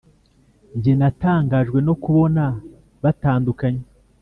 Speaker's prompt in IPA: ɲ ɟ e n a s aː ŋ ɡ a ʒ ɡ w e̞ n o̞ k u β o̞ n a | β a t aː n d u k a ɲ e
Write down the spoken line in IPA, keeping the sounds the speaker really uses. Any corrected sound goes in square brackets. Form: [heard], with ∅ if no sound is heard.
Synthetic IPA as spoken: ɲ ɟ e n a [t] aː ŋ ɡ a ʒ ɡ w e̞ n o̞ k u β o̞ n a | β a t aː n d u k a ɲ e